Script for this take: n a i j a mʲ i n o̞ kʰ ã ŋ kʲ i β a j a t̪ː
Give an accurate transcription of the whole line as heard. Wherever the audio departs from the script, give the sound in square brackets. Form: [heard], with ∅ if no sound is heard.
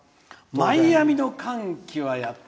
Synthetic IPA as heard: [m] a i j a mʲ i n o̞ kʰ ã ŋ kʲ i β a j a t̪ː

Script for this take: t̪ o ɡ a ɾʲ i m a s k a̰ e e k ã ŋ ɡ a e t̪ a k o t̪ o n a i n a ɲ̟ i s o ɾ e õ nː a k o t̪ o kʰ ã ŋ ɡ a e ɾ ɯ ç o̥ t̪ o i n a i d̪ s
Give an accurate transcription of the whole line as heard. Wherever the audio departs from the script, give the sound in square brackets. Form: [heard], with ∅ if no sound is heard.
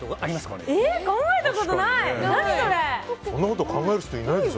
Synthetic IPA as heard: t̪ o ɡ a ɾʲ i m a s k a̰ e e k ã ŋ ɡ a e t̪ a k o t̪ o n a i n a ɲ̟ i s o ɾ e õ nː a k o t̪ o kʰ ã ŋ ɡ a e ɾ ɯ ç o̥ t̪ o i n a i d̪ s

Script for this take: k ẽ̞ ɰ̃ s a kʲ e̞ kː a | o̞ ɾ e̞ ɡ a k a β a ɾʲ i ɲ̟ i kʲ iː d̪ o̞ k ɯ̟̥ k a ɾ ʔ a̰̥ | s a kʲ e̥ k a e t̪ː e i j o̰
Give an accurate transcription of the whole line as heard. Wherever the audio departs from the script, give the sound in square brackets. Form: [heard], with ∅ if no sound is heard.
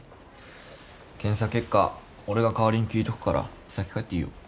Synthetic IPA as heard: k ẽ̞ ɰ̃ s a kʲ e̞ kː a | o̞ ɾ e̞ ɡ a k a β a ɾʲ i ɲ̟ i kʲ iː [t̪] o̞ k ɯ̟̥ k a ɾ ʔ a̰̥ | s a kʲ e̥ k a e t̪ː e i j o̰

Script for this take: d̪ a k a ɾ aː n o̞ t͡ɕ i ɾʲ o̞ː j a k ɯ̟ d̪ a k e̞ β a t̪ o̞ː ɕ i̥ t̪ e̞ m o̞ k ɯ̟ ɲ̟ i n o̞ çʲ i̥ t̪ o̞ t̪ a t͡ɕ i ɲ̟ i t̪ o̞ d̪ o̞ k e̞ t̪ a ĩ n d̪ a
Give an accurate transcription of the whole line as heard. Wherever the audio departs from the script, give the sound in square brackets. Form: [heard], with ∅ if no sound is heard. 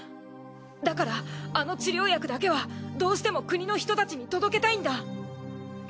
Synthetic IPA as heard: d̪ a k a ɾ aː n o̞ t͡ɕ i ɾʲ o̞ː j a k ɯ̟ d̪ a k e̞ β a [d̪] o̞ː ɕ i̥ t̪ e̞ m o̞ k ɯ̟ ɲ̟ i n o̞ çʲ i̥ t̪ o̞ t̪ a t͡ɕ i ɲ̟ i t̪ o̞ d̪ o̞ k e̞ t̪ a ĩ n d̪ a

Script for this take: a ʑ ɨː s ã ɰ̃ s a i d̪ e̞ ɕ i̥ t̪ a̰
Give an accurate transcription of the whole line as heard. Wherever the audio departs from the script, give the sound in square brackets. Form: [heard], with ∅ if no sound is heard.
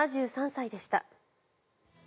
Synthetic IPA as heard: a ʑ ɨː s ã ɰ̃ s a i d̪ e̞ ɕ i̥ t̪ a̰

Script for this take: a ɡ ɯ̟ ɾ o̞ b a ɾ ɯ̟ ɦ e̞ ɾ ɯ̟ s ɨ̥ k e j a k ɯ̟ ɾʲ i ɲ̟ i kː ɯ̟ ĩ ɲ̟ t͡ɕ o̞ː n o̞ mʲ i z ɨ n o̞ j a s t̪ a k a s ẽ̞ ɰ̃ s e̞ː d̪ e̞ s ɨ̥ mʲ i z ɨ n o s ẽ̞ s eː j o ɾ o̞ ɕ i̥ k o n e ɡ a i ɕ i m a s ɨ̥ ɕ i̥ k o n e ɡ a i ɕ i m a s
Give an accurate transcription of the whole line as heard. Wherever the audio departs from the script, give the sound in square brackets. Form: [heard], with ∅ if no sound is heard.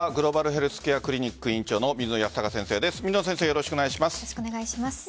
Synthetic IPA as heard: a ɡ ɯ̟ ɾ o̞ b a ɾ ɯ̟ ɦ e̞ ɾ ɯ̟ s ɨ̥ k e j a k ɯ̟ ɾʲ i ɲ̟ i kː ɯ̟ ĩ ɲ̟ t͡ɕ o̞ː n o̞ mʲ i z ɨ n o̞ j a s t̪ a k a s ẽ̞ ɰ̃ s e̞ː d̪ e̞ s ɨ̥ mʲ i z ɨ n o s ẽ̞ s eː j o ɾ o̞ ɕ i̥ k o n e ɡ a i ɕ i m a s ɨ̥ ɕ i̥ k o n e ɡ a i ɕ i m a s

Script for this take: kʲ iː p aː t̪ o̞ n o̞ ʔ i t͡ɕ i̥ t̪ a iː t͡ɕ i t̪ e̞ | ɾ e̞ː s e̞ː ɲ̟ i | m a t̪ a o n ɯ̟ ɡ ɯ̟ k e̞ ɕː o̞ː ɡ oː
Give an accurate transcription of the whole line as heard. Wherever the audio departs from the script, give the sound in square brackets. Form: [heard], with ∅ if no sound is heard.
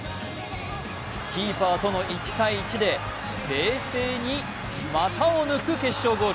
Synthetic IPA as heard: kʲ iː p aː t̪ o̞ n o̞ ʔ i t͡ɕ i̥ t̪ a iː t͡ɕ i [d̪] e̞ | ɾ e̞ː s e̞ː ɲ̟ i | m a t̪ a o n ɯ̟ [k] ɯ̟ k e̞ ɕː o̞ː ɡ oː

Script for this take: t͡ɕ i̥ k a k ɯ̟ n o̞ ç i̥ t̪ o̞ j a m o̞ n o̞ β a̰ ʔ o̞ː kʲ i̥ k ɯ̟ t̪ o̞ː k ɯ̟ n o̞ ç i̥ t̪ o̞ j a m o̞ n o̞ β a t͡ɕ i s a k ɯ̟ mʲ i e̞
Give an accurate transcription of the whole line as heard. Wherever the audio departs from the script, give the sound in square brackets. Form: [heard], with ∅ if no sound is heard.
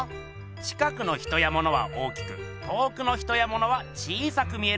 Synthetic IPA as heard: t͡ɕ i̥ k a k ɯ̟ n o̞ ç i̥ t̪ o̞ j a m o̞ n o̞ β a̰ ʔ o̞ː kʲ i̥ k ɯ̟ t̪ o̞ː k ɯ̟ n o̞ ç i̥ t̪ o̞ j a m o̞ n o̞ β a t͡ɕ [iː] s a k ɯ̟ mʲ i e̞

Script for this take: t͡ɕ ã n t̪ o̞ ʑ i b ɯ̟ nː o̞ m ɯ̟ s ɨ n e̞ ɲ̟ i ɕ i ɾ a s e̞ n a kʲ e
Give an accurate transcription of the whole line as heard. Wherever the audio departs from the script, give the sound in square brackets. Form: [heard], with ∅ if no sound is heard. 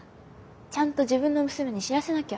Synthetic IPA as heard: t͡ɕ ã n t̪ o̞ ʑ i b [ɯ̟̃] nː o̞ m ɯ̟ s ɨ [m] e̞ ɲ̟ i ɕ i ɾ a s e̞ n a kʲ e

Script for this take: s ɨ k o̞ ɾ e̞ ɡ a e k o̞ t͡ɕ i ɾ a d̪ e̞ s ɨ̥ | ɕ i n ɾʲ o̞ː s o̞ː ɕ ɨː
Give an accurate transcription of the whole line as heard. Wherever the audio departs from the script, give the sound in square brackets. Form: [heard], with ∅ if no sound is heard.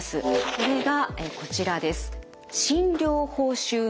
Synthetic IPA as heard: s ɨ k o̞ ɾ e̞ ɡ a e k o̞ t͡ɕ i ɾ a d̪ e̞ s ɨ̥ | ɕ [ĩ] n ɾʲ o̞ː [h] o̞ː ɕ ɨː

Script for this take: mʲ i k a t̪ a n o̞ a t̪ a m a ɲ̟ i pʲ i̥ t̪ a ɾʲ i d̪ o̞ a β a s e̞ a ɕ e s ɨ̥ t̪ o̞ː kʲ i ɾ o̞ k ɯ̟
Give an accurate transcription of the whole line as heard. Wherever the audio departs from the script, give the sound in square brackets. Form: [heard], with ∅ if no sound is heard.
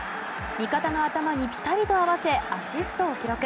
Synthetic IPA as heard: mʲ i k a t̪ a n o̞ a t̪ a m a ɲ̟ i pʲ i̥ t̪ a ɾʲ i [t̪] o̞ a β a s e̞ a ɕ [i] s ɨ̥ t̪ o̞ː kʲ i ɾ o̞ k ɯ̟

